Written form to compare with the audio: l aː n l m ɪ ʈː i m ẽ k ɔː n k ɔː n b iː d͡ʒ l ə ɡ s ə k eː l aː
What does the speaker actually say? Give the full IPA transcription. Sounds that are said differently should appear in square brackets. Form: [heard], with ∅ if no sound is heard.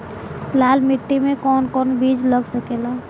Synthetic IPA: l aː [∅] l m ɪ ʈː i m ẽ k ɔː n k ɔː n b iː d͡ʒ l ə ɡ s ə k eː l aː

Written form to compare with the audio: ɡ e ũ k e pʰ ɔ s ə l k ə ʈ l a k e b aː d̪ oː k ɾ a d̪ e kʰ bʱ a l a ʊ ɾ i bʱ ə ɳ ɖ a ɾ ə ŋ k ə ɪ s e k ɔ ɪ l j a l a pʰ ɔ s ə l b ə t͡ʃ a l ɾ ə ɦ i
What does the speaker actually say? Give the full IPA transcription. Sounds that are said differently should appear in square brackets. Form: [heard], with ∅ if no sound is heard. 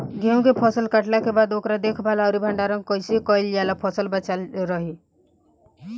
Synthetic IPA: ɡ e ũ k e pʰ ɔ s ə l k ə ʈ l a k e b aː d̪ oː k ɾ a d̪ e kʰ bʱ a l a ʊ ɾ i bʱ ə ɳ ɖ a ɾ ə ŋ k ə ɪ s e k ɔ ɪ l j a l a pʰ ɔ s ə l b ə t͡ʃ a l ɾ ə ɦ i

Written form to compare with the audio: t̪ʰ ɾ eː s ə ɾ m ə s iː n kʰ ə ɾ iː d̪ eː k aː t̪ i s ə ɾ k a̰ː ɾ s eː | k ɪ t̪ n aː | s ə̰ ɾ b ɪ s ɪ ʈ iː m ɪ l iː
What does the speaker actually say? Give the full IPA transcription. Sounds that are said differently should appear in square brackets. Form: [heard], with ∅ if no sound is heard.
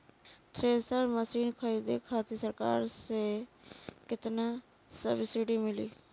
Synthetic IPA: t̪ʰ ɾ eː s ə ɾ m ə s iː n kʰ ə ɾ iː d̪ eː [kʰ] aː t̪ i s ə ɾ k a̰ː ɾ s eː | k ɪ t̪ n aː | s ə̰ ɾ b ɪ s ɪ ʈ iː m ɪ l iː

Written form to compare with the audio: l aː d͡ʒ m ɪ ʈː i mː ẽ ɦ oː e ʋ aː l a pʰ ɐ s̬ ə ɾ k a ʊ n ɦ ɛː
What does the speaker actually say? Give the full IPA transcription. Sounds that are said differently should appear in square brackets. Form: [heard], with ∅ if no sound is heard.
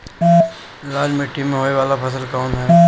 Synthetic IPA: l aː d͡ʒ m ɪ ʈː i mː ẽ ɦ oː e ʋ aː l a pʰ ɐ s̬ ə [l] k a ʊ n ɦ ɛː

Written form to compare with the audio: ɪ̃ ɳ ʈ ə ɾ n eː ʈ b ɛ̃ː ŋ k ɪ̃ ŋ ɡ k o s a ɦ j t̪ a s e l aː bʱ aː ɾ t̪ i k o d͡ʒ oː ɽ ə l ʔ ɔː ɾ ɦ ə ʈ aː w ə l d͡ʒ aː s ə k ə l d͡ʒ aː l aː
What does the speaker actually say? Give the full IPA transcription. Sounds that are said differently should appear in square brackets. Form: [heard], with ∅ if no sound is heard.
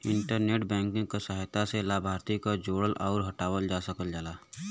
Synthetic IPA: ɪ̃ ɳ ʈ ə ɾ n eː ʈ b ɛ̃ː ŋ k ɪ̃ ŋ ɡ k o s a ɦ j t̪ a s e l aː bʱ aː ɾ t̪ i k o d͡ʒ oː ɽ ə l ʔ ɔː ɾ ɦ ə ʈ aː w ə l d͡ʒ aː s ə k ə l d͡ʒ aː l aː

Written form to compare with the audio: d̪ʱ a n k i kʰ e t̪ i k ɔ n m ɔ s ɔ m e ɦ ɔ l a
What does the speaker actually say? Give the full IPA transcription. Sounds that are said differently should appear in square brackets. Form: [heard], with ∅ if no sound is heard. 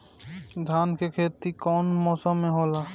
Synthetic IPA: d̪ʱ a n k [e] kʰ e t̪ i k ɔ n m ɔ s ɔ m e ɦ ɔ l a

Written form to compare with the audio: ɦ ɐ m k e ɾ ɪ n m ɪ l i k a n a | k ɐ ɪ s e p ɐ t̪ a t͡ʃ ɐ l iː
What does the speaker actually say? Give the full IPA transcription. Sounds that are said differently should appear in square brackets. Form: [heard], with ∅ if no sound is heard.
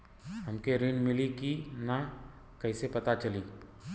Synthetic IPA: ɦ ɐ m k e ɾ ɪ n m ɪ l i k [i] n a | k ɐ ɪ s e p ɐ t̪ a t͡ʃ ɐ l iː

